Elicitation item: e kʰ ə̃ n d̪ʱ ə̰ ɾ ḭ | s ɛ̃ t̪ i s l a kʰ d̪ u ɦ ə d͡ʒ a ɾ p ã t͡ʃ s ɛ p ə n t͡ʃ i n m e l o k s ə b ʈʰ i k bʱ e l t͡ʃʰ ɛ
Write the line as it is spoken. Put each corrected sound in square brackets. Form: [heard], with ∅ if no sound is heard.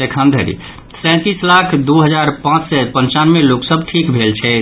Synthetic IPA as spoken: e kʰ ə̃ n d̪ʱ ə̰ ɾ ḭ | s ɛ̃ t̪ i s l a kʰ d̪ u ɦ ə d͡ʒ a ɾ p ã t͡ʃ s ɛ p ə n t͡ʃ [a] n m e l o k s ə b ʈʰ i k bʱ e l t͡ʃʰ ɛ

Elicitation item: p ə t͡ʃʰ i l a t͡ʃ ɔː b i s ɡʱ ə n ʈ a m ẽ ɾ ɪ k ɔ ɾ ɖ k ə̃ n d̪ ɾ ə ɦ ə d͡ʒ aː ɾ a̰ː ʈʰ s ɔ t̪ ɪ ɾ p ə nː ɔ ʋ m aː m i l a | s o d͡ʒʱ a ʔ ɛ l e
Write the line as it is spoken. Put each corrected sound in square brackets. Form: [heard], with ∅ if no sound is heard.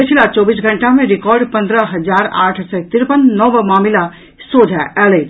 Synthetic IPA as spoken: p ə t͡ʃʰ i l a t͡ʃ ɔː b i s ɡʱ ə [ɳ] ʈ a m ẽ ɾ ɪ k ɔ ɾ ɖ [p] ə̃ n d̪ ɾ ə ɦ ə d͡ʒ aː ɾ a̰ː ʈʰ s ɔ t̪ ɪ ɾ p ə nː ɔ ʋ m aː m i l a | s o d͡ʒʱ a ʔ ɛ l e

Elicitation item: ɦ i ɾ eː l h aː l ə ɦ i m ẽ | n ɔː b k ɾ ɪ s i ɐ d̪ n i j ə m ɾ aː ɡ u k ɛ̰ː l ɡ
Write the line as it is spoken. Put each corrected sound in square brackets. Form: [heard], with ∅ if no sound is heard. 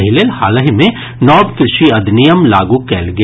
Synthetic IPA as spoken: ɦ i [l] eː l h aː l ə ɦ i m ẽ | n ɔː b k ɾ ɪ [ʃ] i ɐ d̪ n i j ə m [l] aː ɡ u k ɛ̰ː l ɡ

